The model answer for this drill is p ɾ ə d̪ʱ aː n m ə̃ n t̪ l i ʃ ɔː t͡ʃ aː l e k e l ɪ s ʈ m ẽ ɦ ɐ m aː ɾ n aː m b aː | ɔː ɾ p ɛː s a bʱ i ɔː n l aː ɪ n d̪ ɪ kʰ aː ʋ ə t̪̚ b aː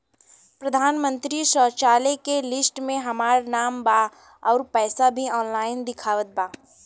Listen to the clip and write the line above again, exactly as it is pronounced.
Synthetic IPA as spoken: p ɾ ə d̪ʱ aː n m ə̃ n t̪ ɾ i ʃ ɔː t͡ʃ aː l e k e l ɪ s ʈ m ẽ ɦ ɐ m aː ɾ n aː m b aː | ɔː ɾ p ɛː s a bʱ i ɔː n l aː ɪ n d̪ ɪ kʰ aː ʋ ə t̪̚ b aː